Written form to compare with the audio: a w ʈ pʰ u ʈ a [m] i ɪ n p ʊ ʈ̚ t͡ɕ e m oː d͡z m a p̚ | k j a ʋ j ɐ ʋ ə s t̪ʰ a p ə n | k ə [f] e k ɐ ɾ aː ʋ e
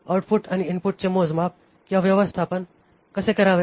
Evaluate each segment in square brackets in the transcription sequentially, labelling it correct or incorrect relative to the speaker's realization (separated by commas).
incorrect, incorrect